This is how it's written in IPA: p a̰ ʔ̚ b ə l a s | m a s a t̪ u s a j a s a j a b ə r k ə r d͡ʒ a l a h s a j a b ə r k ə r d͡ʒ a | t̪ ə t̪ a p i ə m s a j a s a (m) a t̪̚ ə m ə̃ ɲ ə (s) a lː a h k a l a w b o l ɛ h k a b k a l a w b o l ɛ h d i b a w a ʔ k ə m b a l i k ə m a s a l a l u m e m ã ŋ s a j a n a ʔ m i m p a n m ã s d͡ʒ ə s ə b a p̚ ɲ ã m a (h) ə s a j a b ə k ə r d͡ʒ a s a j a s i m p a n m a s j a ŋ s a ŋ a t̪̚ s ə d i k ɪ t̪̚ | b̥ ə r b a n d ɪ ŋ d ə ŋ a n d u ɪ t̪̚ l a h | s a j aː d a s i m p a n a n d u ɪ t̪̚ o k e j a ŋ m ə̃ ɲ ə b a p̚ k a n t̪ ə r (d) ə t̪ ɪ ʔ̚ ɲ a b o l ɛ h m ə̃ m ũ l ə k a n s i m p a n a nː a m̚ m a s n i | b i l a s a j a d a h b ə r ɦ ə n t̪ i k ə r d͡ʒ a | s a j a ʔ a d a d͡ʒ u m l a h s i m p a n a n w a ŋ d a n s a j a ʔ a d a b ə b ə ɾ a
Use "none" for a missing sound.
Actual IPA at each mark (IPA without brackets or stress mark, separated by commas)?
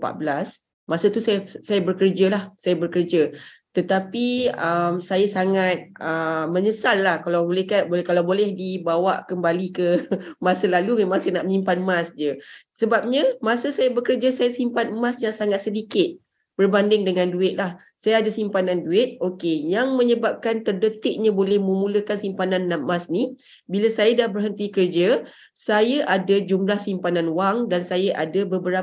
ŋ, s, s, d